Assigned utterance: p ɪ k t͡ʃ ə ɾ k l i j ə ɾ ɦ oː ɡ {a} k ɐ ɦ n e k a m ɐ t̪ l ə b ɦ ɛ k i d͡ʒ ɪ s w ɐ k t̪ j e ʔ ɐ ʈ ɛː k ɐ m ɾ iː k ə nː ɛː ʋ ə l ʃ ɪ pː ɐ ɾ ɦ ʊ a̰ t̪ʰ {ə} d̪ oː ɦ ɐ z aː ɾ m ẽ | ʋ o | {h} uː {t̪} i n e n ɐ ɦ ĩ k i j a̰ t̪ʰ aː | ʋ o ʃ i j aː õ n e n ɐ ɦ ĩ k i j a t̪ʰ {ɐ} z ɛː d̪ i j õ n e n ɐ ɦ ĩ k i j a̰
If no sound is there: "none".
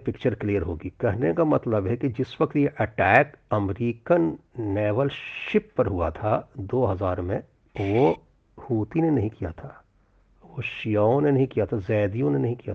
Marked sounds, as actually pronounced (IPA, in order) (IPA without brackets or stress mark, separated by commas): i, a, h, t̪, a